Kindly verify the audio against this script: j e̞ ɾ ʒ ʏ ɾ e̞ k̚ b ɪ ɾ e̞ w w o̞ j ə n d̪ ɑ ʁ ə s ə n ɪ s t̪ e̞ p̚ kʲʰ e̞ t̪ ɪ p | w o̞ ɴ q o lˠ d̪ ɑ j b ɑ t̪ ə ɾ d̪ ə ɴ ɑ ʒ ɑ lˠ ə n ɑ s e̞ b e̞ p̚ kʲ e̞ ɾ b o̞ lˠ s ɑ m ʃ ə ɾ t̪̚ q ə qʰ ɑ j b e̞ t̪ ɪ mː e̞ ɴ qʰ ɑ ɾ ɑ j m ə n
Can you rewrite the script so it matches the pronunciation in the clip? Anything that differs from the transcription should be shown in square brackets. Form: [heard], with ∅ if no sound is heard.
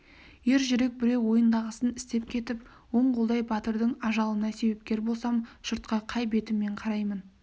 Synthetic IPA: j e̞ ɾ ʒ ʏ ɾ e̞ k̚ b ɪ ɾ e̞ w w o̞ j ə n d̪ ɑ ʁ ə s ə n ɪ s t̪ e̞ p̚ kʲʰ e̞ t̪ ɪ p | w o̞ ɴ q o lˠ d̪ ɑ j b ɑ t̪ ə ɾ d̪ ə ɴ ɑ ʒ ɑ lˠ ə n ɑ s e̞ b e̞ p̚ kʲ e̞ ɾ b o̞ lˠ s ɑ m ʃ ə ɾ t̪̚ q [ɑ] qʰ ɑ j b e̞ t̪ ɪ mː e̞ ɴ qʰ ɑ ɾ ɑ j m ə n